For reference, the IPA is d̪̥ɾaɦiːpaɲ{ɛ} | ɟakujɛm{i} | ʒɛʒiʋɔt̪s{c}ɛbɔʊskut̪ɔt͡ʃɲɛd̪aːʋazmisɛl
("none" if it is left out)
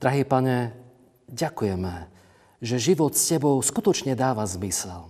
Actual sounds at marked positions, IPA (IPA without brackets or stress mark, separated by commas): ɛ, ɛ, c